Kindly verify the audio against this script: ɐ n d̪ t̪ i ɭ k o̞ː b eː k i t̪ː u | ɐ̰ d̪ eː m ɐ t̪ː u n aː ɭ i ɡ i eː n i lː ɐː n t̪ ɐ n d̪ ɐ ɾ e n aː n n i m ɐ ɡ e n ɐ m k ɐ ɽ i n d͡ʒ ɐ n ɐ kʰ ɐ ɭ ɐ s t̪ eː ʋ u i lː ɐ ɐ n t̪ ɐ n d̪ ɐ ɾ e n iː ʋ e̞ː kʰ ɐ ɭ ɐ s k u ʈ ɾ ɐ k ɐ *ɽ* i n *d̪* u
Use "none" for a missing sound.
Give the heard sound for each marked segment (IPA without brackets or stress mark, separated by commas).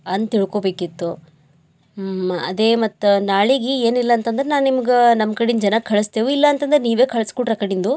ɽ, d̪